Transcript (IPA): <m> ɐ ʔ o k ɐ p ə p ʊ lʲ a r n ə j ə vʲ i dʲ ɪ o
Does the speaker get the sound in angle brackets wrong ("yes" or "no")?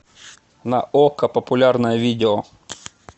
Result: yes